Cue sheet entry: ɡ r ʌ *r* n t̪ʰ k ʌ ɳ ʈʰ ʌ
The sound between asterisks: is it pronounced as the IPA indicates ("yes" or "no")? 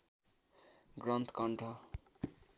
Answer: no